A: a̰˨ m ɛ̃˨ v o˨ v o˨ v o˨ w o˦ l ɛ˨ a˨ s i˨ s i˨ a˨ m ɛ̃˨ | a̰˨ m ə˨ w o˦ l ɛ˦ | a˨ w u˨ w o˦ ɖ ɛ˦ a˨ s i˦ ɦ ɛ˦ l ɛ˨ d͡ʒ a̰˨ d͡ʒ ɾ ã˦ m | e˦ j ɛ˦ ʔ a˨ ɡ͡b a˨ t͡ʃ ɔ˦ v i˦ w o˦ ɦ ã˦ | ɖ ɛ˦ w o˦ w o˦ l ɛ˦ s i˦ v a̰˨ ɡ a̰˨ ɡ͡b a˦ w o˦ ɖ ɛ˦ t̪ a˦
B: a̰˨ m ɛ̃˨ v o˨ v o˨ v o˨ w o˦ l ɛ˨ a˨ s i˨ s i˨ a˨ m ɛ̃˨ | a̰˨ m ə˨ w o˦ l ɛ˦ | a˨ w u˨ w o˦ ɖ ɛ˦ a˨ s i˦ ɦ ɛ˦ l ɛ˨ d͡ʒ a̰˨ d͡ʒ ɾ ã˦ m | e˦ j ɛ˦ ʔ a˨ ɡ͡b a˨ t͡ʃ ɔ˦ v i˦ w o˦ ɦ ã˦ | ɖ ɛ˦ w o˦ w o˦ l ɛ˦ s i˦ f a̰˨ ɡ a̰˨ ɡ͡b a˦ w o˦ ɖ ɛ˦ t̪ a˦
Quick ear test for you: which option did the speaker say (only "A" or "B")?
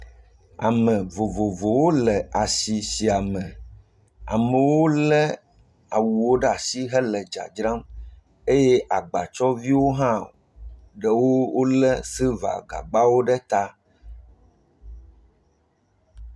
A